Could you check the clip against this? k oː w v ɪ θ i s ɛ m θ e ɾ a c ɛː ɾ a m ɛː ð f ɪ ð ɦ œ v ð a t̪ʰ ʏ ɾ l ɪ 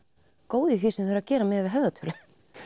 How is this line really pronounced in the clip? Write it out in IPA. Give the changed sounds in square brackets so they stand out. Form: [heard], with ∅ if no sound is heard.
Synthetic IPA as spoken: k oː w [ð] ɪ θ i s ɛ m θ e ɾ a c ɛː ɾ a m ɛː ð [v] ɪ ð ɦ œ v ð a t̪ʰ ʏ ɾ l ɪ